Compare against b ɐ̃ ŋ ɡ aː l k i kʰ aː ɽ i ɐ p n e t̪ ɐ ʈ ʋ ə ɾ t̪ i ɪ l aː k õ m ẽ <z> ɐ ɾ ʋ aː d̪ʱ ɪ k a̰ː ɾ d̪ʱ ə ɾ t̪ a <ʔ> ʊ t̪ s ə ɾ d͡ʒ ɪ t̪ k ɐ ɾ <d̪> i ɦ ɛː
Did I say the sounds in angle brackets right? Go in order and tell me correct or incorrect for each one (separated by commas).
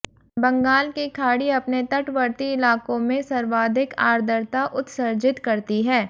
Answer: incorrect, correct, incorrect